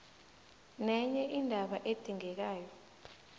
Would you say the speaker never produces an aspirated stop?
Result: yes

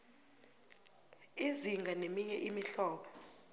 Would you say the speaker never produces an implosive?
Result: no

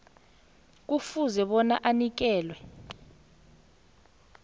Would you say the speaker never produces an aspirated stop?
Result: yes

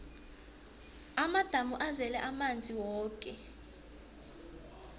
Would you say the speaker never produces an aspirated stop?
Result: yes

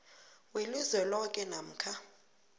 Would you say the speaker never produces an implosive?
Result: yes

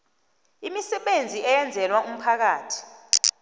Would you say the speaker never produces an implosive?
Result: no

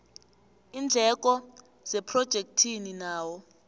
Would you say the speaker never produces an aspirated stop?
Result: no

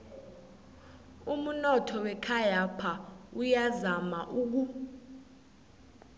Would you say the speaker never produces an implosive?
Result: yes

